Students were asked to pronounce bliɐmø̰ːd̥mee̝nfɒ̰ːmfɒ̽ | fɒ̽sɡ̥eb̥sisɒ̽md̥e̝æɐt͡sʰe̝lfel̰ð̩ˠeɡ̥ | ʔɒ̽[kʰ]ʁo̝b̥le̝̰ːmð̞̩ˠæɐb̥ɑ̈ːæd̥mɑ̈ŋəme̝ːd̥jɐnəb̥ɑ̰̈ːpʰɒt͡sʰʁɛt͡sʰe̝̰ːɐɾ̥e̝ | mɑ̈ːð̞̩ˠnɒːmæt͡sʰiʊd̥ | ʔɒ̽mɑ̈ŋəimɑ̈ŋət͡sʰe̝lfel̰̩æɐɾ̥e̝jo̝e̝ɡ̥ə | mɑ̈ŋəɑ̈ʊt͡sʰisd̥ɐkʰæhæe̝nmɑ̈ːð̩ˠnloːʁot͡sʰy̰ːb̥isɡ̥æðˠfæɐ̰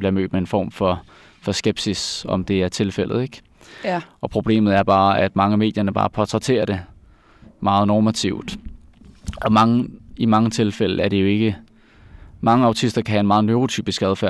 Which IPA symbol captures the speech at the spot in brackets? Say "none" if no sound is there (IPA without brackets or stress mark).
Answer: pʰ